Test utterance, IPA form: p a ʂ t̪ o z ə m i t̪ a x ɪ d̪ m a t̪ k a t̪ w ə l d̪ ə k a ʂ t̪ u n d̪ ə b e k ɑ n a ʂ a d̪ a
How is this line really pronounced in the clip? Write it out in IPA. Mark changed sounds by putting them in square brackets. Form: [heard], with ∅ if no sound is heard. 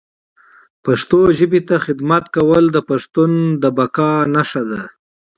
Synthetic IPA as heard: p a ʂ t̪ o [ʒ] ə [b] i t̪ a x ɪ d̪ m a t̪ k a [∅] w ə l d̪ ə [p] a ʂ t̪ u n d̪ ə b [a] k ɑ n a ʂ a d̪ a